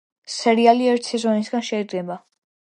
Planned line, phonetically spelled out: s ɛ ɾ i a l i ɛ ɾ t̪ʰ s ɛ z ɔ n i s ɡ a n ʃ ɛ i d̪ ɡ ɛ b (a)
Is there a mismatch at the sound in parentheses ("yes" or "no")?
no